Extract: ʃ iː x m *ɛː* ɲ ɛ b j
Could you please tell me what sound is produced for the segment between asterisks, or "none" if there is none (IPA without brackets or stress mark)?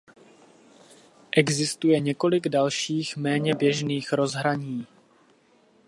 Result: ɛː